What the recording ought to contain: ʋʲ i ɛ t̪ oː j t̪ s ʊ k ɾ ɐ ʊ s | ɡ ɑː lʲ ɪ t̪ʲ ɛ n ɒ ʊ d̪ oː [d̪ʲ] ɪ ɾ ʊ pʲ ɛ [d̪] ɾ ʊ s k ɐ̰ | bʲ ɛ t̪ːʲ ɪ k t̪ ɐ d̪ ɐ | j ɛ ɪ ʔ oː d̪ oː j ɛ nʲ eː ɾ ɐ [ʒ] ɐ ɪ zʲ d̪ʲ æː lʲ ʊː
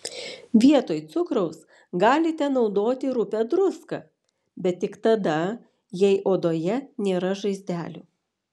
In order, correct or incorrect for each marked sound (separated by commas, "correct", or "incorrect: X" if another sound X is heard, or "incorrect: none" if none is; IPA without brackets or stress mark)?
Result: incorrect: t̪ʲ, correct, correct